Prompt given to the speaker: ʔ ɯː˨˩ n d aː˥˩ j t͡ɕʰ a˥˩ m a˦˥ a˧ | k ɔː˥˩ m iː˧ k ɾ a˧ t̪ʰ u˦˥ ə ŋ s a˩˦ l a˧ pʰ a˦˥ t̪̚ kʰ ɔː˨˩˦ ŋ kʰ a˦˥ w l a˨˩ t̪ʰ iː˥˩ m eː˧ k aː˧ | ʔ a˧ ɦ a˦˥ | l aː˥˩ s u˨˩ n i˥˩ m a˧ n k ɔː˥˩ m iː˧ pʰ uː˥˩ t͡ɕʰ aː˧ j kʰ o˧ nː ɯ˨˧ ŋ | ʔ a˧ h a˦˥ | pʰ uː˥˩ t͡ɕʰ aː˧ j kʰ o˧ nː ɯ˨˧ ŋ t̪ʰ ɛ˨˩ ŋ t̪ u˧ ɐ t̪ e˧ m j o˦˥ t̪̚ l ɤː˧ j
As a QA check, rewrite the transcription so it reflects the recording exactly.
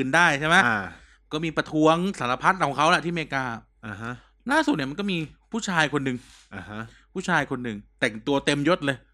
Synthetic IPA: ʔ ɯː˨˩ n d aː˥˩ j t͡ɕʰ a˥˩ m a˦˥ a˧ | k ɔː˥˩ m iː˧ p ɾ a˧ t̪ʰ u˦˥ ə ŋ s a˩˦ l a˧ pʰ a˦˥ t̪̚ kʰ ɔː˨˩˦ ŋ kʰ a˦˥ w l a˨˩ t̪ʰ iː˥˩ m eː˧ k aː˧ | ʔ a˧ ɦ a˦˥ | l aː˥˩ s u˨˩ n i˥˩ m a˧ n k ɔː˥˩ m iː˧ pʰ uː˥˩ t͡ɕʰ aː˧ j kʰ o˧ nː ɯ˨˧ ŋ | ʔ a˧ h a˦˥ | pʰ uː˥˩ t͡ɕʰ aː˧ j kʰ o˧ nː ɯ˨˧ ŋ t̪ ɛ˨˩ ŋ t̪ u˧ ɐ t̪ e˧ m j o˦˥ t̪̚ l ɤː˧ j